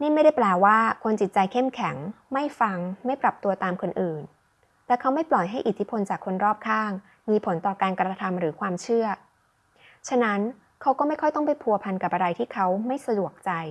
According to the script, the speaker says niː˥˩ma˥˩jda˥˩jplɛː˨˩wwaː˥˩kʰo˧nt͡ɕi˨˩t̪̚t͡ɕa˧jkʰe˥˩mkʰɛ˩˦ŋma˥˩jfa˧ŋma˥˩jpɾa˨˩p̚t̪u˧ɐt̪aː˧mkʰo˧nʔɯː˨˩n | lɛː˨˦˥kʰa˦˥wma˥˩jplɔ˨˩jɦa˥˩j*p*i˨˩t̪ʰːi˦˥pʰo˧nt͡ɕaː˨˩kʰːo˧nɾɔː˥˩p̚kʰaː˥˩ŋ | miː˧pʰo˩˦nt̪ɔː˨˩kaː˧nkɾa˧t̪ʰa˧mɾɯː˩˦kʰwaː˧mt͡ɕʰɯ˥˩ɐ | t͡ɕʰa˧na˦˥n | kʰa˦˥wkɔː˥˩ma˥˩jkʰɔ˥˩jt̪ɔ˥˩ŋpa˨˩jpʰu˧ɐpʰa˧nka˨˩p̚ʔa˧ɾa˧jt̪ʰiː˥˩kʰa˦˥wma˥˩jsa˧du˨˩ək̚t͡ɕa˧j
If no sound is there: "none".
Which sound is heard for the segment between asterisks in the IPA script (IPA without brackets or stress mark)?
ʔ